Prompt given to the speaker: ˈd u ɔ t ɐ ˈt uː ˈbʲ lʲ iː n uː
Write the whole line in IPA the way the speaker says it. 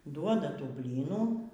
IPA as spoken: ˈd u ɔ d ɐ ˈt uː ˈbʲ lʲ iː n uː